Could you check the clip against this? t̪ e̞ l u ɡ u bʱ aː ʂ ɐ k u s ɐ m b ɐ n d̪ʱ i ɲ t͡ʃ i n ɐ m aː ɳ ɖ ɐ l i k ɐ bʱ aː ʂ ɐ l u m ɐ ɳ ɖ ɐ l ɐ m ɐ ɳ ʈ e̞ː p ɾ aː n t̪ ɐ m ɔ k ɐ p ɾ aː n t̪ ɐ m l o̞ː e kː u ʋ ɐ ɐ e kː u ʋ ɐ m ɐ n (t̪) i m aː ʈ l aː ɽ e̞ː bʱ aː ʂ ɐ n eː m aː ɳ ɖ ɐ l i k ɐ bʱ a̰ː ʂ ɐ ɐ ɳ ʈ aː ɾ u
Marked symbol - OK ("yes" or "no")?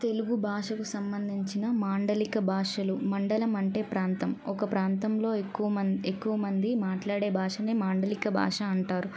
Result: no